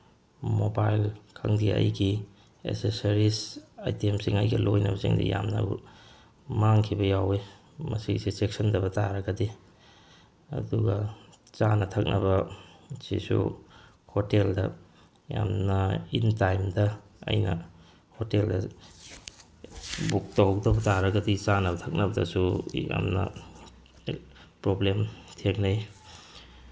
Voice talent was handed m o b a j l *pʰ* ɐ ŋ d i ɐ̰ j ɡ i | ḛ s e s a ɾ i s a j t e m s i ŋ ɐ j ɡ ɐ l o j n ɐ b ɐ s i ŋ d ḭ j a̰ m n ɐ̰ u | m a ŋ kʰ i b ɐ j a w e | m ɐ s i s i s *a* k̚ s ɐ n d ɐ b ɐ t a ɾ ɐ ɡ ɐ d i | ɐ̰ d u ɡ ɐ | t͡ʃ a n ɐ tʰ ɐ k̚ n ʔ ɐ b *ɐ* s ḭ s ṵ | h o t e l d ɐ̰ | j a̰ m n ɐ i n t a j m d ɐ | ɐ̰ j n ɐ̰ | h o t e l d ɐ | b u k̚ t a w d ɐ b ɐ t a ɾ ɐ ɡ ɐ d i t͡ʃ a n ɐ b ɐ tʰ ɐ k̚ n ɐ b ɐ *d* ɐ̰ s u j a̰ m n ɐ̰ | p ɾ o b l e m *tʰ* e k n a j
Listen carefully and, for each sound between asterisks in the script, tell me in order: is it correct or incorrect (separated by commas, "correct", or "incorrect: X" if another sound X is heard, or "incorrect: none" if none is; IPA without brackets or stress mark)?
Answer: incorrect: kʰ, incorrect: e, correct, correct, correct